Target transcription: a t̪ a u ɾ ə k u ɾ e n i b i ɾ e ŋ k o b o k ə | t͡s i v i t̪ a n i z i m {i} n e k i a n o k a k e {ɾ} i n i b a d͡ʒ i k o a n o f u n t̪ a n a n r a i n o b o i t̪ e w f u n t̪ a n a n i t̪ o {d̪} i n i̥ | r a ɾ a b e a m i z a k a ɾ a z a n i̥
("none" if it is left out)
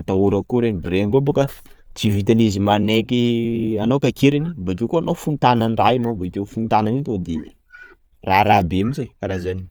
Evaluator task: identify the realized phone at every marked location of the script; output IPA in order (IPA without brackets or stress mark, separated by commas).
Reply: a, ɾ, d̪